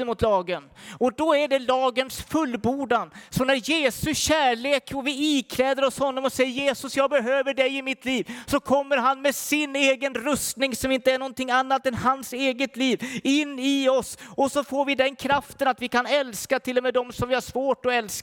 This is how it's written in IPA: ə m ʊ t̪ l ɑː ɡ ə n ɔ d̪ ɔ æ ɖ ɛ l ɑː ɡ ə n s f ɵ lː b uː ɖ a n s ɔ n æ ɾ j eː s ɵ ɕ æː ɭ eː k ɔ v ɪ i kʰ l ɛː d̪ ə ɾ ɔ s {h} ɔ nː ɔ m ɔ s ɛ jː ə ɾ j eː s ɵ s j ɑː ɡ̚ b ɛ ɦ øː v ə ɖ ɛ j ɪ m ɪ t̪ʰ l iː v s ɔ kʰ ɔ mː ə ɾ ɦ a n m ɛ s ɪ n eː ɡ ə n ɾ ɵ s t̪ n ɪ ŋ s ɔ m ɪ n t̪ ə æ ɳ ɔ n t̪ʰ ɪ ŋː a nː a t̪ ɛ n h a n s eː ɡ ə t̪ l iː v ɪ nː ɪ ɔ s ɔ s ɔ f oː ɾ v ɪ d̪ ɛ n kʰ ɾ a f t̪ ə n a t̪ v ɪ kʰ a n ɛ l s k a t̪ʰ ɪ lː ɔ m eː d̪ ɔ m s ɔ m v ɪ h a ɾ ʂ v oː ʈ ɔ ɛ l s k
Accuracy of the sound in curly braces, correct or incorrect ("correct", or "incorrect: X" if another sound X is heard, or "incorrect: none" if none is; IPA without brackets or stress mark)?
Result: correct